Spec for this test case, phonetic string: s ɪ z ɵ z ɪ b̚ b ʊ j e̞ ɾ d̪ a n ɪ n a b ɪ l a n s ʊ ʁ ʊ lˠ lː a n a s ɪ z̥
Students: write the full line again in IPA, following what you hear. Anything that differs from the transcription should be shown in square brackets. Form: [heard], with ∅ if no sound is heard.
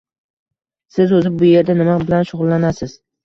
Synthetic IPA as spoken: s ɪ z ɵ z ɪ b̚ b ʊ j e̞ ɾ d̪ a n ɪ [m] a b ɪ l a n [ʃ] ʊ ʁ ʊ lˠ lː a n a s ɪ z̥